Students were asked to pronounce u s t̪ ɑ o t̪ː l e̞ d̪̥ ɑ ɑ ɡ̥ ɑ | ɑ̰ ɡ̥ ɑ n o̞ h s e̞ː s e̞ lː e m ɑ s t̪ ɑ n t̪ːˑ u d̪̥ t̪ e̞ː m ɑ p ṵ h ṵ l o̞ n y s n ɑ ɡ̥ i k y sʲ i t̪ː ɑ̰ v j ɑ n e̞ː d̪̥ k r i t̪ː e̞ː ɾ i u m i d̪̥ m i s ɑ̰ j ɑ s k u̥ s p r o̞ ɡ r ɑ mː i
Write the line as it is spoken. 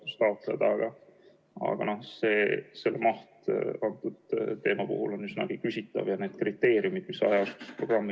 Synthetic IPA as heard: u s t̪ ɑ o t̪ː l e̞ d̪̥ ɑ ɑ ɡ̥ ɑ | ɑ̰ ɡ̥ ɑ n o̞ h s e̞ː s e̞ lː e m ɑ h t̪ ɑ n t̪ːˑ u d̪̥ t̪ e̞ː m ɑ p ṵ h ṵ l o̞ n y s n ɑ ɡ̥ i k y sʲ i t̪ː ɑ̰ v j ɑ n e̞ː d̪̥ k r i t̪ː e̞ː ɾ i u m i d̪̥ m i s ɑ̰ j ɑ s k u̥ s p r o̞ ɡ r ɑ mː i